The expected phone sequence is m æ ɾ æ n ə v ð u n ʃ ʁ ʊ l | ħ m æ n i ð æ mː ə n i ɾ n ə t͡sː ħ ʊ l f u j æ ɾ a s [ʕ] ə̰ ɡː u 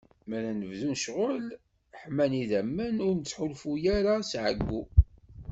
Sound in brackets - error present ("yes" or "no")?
no